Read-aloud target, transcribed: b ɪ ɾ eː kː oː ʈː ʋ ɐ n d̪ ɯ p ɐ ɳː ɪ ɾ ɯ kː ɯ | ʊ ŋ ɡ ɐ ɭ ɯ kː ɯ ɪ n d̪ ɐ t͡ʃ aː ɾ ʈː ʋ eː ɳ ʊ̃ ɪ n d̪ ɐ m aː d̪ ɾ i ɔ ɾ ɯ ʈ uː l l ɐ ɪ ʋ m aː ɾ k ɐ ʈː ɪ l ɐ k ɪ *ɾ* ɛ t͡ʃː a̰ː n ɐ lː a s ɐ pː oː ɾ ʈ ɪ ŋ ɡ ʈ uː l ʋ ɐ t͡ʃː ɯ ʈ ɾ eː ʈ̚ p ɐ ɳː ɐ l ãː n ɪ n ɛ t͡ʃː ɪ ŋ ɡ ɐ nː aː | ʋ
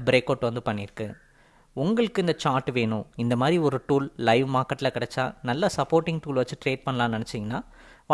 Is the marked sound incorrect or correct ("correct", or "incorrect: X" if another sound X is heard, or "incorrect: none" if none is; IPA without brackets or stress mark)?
incorrect: ɽ